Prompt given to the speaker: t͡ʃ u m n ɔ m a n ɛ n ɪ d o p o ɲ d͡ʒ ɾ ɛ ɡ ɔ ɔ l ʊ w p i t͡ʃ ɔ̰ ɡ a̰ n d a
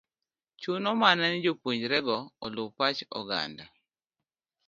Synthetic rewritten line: t͡ʃ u n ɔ m a n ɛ n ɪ d͡ʒ o p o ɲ d͡ʒ ɾ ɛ ɡ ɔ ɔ l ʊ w p a t͡ʃ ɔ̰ ɡ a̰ n d a